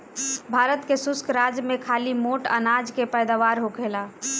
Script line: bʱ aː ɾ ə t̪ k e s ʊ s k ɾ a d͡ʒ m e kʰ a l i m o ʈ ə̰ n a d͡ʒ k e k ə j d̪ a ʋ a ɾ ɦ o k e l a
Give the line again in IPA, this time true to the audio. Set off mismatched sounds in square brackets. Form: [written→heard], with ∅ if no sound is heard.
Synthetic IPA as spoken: bʱ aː ɾ ə t̪ k e s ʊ s k ɾ a d͡ʒ m e kʰ a l i m o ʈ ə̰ n a d͡ʒ k e [k→p] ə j d̪ a ʋ a ɾ ɦ o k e l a